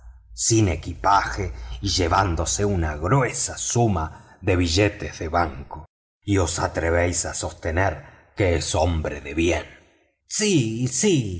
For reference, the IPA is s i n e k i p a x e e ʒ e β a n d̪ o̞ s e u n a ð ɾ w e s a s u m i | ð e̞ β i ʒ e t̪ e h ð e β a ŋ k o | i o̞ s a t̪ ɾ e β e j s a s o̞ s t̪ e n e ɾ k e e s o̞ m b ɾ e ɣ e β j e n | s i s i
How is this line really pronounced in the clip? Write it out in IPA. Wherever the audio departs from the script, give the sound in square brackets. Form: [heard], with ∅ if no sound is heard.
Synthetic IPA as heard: s i n e k i p a x e [i] ʒ e β a n d̪ o̞ s e u n a [ɣ] ɾ w e s a s u m [a] | ð e̞ β i ʒ e t̪ e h ð e β a ŋ k o | i o̞ s a t̪ ɾ e β e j s a s o̞ s t̪ e n e ɾ k e e s o̞ m b ɾ e [ð] e β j e n | s i s i